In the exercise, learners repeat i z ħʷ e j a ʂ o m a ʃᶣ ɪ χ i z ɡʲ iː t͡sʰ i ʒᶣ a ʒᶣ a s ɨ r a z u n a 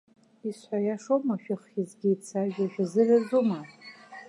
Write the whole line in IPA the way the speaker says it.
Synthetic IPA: i s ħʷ a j a ʂ o m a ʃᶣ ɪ χ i z ɡʲ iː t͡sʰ a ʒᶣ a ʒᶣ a z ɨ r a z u m a